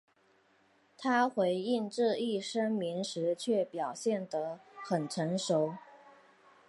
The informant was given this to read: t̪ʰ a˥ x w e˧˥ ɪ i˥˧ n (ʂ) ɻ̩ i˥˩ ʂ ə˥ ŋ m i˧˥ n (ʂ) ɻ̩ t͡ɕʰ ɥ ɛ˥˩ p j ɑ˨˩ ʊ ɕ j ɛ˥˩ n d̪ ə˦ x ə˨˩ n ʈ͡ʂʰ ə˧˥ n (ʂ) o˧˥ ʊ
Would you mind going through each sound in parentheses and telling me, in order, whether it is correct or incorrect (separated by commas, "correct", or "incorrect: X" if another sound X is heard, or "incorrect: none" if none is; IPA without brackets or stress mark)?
incorrect: ʈ͡ʂ, correct, correct